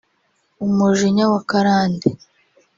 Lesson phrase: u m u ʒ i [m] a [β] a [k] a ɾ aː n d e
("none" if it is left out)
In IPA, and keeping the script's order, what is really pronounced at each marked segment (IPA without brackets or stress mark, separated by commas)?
ɲ, w, k